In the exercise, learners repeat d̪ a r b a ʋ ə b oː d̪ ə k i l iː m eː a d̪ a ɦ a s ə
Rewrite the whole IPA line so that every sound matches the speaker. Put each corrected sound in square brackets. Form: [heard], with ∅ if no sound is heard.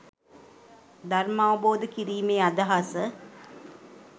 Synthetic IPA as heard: d̪ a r [m] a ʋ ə b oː d̪ ə k i [ɾ] iː m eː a d̪ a ɦ a s ə